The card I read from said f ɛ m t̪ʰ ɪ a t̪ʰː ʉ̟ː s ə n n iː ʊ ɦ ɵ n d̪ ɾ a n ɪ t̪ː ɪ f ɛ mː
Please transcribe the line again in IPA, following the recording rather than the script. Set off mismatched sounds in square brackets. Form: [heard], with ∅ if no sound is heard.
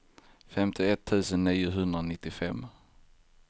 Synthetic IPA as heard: f ɛ m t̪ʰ ɪ [ɛ] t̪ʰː ʉ̟ː s ə n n iː ʊ ɦ ɵ n d̪ ɾ a n ɪ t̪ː ɪ f ɛ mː